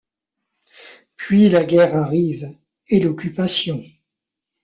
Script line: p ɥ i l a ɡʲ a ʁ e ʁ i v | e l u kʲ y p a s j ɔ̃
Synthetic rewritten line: p ɥ i l a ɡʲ ɛ ʁ a ʁ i v | e l ɔ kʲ y p a s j ɔ̃